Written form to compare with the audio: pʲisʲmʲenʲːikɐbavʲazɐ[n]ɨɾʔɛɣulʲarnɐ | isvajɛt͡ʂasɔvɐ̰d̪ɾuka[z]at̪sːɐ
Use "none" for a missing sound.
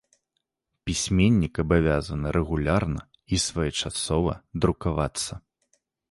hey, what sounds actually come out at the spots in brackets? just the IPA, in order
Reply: n, v

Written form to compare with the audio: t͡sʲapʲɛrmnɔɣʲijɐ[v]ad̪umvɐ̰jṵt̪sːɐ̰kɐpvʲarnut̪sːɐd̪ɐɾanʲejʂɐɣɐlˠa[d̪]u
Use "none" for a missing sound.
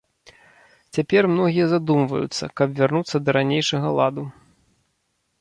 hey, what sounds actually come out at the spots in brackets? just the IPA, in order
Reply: z, d̪

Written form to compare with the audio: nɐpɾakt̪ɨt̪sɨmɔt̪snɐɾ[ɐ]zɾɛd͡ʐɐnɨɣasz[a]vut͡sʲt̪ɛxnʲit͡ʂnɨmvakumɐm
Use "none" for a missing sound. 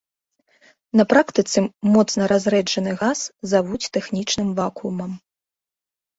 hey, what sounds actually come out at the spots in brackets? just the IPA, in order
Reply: a, a

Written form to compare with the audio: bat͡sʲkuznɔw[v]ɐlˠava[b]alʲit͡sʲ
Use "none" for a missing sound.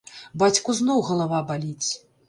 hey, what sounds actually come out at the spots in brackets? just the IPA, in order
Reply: ɣ, b

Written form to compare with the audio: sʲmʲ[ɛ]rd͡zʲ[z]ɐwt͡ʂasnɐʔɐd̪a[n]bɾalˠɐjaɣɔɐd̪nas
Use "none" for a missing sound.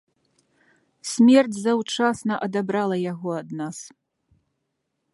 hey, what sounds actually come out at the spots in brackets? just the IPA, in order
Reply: ɛ, z, none

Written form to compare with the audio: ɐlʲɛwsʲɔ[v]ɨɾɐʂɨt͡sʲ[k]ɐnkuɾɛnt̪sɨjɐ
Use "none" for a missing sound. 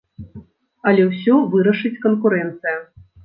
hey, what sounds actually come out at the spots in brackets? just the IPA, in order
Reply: v, k

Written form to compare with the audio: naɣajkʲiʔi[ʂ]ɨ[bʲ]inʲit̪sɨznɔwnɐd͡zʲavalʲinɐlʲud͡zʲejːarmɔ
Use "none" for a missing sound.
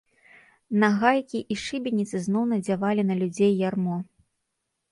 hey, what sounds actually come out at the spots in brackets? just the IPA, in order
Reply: ʂ, bʲ

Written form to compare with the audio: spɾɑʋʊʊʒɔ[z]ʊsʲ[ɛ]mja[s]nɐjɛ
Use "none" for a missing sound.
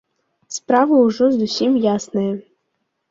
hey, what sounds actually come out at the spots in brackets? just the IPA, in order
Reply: z, i, s

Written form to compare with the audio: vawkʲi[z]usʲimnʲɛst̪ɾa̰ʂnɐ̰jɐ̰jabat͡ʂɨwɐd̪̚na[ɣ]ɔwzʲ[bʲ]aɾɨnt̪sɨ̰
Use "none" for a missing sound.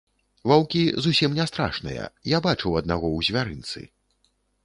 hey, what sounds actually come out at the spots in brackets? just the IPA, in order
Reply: z, ɣ, vʲ

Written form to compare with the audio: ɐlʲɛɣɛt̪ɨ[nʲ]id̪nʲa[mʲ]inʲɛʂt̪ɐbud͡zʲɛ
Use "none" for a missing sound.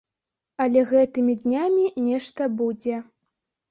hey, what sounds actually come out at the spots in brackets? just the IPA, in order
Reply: mʲ, mʲ

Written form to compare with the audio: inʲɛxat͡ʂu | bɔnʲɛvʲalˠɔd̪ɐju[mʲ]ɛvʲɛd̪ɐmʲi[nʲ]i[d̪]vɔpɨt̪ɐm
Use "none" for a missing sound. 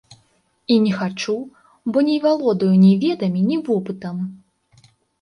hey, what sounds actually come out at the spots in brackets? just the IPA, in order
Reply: nʲ, nʲ, none

